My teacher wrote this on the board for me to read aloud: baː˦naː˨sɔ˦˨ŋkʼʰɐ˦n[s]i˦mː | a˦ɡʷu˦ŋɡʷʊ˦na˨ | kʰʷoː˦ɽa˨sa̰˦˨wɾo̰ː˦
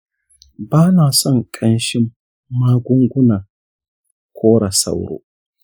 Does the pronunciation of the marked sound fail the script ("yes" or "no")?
yes